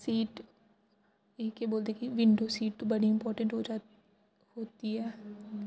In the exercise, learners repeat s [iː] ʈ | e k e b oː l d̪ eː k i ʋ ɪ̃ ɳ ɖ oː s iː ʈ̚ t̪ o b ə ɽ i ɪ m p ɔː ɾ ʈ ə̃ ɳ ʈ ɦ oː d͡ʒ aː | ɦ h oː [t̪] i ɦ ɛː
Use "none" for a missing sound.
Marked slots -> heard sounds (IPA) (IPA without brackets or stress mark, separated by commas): iː, t̪